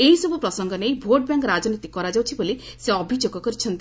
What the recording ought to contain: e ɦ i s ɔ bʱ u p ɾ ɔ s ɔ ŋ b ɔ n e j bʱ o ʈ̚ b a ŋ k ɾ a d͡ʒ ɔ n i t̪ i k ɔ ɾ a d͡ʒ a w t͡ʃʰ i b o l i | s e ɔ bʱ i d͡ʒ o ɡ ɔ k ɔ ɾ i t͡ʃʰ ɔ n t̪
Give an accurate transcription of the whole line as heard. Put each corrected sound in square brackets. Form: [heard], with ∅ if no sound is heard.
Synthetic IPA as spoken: e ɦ i s ɔ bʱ u p ɾ ɔ s ɔ ŋ [ɡ] ɔ n e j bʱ o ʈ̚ b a ŋ k ɾ a d͡ʒ ɔ n i t̪ i k ɔ ɾ a d͡ʒ a w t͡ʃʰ i b o l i | s e ɔ bʱ i d͡ʒ o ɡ ɔ k ɔ ɾ i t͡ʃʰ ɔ n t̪